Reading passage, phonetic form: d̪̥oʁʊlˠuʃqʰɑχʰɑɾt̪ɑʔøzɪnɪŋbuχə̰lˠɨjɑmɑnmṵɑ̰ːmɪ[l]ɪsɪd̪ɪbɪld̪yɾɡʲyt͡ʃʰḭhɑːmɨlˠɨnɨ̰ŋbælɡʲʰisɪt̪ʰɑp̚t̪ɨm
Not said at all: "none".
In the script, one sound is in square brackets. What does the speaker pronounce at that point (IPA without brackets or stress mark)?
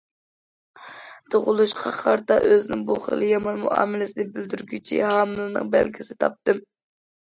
l